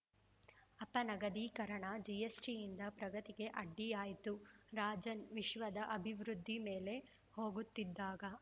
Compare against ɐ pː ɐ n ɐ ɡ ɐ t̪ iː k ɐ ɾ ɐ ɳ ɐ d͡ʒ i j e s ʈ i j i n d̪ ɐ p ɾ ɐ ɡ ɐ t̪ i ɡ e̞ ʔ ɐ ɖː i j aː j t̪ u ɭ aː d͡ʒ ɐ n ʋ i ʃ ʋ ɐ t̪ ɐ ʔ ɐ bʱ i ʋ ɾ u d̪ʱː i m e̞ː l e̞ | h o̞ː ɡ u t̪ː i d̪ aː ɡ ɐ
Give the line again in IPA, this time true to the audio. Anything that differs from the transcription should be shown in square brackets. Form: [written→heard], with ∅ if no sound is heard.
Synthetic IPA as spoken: ɐ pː ɐ n ɐ ɡ ɐ [t̪→d̪] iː k ɐ ɾ ɐ ɳ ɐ d͡ʒ i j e s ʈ i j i n d̪ ɐ p ɾ ɐ ɡ ɐ t̪ i ɡ e̞ ʔ ɐ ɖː i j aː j t̪ u [ɭ→ɾ] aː d͡ʒ ɐ n ʋ i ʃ ʋ ɐ [t̪→d̪] ɐ ʔ ɐ bʱ i ʋ ɾ u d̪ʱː i m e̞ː l e̞ | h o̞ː ɡ u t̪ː i [d̪→d̪ː] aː ɡ ɐ

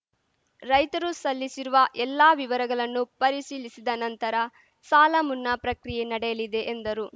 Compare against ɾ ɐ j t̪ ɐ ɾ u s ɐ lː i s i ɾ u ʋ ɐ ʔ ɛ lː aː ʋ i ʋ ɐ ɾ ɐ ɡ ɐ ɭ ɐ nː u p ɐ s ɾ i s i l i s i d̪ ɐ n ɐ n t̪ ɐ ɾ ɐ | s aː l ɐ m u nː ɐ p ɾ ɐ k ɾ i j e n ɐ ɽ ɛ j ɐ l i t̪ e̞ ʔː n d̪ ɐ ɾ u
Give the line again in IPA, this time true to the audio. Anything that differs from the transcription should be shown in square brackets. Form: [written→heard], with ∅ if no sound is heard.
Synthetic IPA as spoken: ɾ ɐ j t̪ ɐ ɾ u s ɐ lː i s i ɾ u ʋ ɐ ʔ ɛ lː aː ʋ i ʋ ɐ ɾ ɐ ɡ ɐ ɭ ɐ nː u p ɐ [s→∅] ɾ i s [i→iː] l i s i d̪ ɐ n ɐ n t̪ ɐ ɾ ɐ | s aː l ɐ m u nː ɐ p ɾ ɐ k ɾ i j e n ɐ ɽ ɛ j ɐ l i [t̪→d̪] e̞ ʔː n d̪ ɐ ɾ u

